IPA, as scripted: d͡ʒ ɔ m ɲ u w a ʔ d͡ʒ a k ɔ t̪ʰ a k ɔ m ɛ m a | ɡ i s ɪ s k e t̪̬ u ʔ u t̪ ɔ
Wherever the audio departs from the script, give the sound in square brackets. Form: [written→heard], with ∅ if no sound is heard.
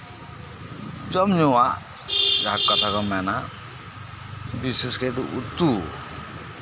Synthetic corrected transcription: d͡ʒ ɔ m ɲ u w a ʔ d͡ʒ a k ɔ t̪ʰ a k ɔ m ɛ [m→n] a | [ɡ→b] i s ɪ s k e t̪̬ u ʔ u t̪ [ɔ→u]